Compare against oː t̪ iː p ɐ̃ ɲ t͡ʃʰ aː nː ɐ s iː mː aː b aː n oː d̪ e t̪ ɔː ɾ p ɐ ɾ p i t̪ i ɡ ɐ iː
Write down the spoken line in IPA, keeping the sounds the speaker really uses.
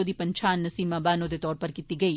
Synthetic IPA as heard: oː d̪ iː p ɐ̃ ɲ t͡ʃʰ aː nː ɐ s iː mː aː b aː n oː d̪ e t̪ ɔː ɾ p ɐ ɾ k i t̪ i ɡ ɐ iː

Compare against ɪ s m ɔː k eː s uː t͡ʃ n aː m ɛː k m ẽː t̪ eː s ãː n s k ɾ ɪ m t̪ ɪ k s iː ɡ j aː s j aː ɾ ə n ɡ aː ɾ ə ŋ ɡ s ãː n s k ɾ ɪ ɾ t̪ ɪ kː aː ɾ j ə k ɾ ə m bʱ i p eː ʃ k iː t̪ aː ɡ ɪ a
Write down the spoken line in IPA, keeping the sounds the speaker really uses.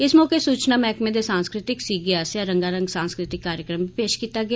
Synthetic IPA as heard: ɪ s m ɔː k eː s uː t͡ʃ n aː m ɛː k m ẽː d̪ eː s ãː n s k ɾ ɪ t̪ ɪ k s iː ɡ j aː s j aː ɾ ə ŋ ɡ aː ɾ ə ŋ ɡ s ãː n s k ɾ ɪ t̪ ɪ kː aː ɾ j ə k ɾ ə m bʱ i p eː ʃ k iː t̪ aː ɡ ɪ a

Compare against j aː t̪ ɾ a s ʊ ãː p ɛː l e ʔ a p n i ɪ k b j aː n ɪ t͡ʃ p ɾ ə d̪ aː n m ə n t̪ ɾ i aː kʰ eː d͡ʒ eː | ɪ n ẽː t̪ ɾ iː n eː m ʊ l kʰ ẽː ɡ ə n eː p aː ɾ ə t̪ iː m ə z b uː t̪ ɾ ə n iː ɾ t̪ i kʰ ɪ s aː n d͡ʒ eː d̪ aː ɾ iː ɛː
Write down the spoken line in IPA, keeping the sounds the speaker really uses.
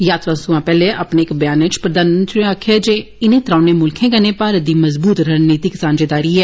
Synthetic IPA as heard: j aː t̪ ɾ a s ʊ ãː p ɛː l e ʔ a p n e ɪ k b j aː n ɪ t͡ʃ p ɾ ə d̪ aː n m ə n t̪ ɾ i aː kʰ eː d͡ʒ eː | ɪ n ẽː t̪ ɾ aː n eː m ʊ l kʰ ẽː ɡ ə n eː p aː ɾ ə d̪ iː m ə z b uː t̪ ɾ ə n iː t̪ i k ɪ s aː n d͡ʒ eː d̪ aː ɾ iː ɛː

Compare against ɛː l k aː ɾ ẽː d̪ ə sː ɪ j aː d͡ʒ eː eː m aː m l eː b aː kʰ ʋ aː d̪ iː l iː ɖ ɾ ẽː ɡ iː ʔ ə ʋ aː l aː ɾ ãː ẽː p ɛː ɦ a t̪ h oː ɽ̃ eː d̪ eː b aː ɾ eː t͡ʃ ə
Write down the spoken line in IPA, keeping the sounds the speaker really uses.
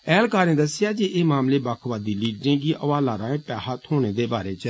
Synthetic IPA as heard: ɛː l k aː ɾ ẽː d̪ ə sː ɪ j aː d͡ʒ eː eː m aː m l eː b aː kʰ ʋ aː d̪ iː l iː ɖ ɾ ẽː ɡ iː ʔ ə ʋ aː l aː ɾ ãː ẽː p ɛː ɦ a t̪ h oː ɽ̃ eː d̪ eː b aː ɾ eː t͡ʃ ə

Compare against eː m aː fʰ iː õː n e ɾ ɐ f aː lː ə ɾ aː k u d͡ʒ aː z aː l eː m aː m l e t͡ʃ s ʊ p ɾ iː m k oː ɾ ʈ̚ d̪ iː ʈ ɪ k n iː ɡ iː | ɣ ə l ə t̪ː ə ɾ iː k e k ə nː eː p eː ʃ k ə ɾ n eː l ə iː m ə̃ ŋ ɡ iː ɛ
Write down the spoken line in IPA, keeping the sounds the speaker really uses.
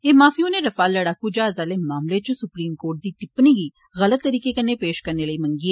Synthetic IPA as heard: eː m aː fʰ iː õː n e ɾ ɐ f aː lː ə ɽ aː k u d͡ʒ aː z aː l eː m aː m l e t͡ʃ s ʊ p ɾ iː m k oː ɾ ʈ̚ d̪ iː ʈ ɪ p n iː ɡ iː | ɣ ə l ə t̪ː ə ɾ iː k e k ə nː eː p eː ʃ k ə ɾ n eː l ə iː m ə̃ ŋ ɡ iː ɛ

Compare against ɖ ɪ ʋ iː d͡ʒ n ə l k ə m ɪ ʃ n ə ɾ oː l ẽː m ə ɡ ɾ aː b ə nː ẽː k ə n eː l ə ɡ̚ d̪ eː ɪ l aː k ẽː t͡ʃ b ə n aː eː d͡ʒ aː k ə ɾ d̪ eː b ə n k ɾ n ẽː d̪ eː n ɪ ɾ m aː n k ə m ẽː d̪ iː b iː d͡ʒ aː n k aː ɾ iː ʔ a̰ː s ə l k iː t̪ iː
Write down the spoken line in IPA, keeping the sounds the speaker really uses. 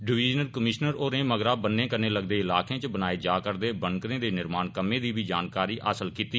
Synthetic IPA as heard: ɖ ɪ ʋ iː d͡ʒ n ə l k ə m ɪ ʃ n ə ɾ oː ɾ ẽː m ə ɡ ɾ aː b ə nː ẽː k ə n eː l ə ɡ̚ d̪ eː ɪ l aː k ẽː t͡ʃ b ə n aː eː d͡ʒ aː k ə ɾ d̪ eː b ə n k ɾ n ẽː d̪ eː n ɪ ɾ m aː n k ə m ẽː d̪ iː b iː d͡ʒ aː n k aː ɾ iː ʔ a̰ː s ə l k iː t̪ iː

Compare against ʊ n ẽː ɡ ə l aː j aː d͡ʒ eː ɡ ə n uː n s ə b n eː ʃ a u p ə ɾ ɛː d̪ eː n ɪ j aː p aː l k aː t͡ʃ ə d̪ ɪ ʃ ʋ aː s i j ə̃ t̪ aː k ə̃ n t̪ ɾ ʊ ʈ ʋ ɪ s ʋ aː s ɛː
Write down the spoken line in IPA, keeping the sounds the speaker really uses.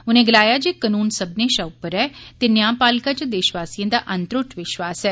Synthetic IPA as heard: ʊ n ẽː ɡ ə l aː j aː d͡ʒ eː k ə n uː n s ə b n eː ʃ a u p ə ɾ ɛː t̪ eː n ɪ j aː p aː l k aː t͡ʃ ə d̪ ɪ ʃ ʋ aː s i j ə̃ d̪ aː ʔ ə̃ n t̪ ɾ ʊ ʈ ʋ ɪ ʃ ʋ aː s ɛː

